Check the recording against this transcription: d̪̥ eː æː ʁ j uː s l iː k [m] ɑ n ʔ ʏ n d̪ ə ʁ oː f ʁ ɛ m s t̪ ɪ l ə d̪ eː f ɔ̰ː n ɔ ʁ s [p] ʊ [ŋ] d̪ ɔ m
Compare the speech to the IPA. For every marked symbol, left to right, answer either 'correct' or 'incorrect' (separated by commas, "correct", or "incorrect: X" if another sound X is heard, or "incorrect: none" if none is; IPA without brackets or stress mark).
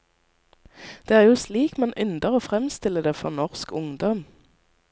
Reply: correct, incorrect: k, correct